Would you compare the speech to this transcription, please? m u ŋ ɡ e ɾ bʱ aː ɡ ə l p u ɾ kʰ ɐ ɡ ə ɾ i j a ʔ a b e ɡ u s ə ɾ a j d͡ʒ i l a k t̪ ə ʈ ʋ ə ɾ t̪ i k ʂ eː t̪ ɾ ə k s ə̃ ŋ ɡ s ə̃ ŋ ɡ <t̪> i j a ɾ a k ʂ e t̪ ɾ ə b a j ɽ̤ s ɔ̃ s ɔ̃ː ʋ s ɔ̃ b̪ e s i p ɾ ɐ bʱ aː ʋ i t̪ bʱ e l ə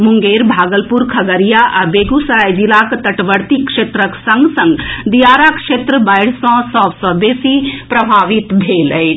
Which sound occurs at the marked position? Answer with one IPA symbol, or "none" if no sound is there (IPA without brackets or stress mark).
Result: d̪